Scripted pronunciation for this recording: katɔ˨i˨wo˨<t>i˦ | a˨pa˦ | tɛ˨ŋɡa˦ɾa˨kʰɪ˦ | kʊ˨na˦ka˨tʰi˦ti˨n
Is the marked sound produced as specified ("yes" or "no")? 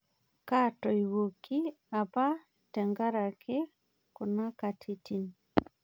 no